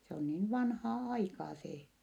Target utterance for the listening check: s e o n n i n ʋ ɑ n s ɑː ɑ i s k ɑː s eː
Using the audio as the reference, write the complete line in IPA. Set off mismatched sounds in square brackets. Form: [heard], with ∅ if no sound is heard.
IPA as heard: s e o n n [iː] n ʋ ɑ n [h] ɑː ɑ i [∅] k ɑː s eː